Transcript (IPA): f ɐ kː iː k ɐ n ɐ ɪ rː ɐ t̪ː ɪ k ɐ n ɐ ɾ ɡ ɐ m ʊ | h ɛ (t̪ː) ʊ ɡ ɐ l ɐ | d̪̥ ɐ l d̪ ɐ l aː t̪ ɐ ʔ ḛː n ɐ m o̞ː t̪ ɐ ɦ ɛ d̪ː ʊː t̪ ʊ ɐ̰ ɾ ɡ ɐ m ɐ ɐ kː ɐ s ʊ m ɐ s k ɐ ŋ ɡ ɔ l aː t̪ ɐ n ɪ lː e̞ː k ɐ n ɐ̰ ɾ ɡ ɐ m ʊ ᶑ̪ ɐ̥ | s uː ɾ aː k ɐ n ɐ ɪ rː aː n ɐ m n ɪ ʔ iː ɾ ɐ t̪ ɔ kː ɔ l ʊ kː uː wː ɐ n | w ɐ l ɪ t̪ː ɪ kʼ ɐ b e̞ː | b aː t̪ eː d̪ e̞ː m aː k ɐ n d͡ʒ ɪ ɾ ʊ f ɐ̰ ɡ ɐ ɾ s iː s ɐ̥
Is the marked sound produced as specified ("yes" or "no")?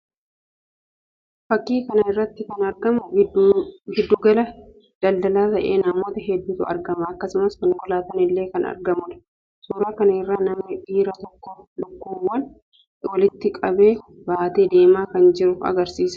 no